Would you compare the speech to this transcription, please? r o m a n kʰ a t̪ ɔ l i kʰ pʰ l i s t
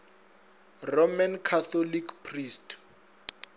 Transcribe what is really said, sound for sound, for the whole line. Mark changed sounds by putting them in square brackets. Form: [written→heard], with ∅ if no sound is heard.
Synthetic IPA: r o m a n kʰ a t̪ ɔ l i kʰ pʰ [l→r] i s t